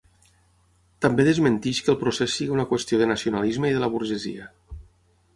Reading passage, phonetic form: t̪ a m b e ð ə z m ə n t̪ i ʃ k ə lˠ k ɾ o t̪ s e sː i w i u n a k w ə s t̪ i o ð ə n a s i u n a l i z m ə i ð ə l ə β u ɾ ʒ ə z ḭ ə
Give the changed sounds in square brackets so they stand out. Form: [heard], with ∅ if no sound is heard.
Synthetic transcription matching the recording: t̪ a m b e ð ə z m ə n t̪ i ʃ k ə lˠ [p] ɾ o [∅] s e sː i [ɣ] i u n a k w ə s t̪ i o ð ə n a s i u n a l i z m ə i ð ə l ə β u ɾ ʒ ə z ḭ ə